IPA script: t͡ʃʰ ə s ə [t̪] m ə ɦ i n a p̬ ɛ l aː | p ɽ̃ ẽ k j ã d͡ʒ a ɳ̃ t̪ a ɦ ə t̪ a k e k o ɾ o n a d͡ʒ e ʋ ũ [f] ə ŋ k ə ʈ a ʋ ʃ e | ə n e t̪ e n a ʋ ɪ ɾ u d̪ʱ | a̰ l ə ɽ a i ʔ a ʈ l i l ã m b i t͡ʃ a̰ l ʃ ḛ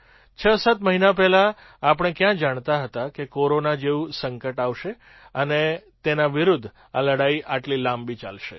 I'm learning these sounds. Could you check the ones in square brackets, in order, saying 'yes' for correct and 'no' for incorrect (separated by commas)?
yes, no